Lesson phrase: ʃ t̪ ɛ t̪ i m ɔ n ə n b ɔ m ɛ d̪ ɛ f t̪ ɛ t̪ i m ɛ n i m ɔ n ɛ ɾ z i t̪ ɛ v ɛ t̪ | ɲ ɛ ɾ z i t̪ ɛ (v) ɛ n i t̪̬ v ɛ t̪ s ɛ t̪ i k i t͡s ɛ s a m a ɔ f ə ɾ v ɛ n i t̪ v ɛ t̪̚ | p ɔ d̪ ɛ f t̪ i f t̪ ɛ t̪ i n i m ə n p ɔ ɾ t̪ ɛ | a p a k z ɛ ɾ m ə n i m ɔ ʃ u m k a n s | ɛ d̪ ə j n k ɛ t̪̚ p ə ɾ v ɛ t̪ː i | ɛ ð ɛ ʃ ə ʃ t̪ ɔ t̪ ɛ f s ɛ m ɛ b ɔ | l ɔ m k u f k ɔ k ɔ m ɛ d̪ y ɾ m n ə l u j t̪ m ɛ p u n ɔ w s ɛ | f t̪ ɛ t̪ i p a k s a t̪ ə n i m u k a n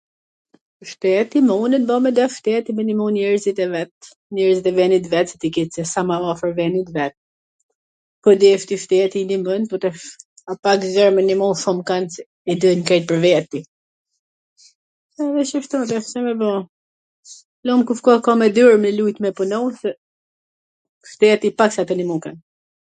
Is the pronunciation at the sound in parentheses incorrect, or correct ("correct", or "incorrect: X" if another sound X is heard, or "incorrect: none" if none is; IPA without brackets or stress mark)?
correct